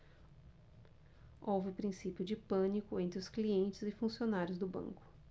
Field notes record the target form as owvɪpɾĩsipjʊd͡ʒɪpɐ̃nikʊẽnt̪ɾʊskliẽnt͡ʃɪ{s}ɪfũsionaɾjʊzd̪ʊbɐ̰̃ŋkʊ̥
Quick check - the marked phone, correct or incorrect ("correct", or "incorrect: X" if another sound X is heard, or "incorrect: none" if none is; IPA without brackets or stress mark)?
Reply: incorrect: z